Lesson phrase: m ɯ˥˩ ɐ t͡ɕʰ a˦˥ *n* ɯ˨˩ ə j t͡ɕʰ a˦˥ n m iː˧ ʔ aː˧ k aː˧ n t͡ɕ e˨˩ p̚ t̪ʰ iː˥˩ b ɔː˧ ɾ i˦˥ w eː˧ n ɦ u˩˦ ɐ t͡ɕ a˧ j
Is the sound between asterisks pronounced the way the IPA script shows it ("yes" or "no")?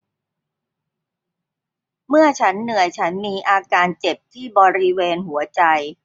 no